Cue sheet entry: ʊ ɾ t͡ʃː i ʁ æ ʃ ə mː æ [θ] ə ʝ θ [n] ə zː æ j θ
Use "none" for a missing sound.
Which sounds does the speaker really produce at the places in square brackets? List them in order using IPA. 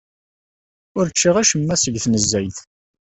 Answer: s, n

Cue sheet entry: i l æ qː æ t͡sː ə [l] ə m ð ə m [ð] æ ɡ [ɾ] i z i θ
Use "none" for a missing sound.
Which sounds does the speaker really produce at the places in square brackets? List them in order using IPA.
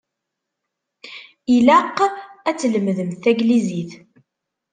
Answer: l, θ, l

